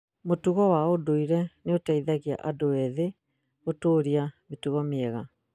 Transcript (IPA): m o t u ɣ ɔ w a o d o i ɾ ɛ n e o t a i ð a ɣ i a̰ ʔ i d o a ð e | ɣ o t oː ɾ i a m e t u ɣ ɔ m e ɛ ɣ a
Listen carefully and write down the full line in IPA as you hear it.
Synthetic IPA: m o t u ɣ ɔ w a o d o i ɾ ɛ n e o t a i ð a ɣ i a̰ ʔ a d o ɛ ð e | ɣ o t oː ɾ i a m e t u ɣ ɔ m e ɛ ɣ a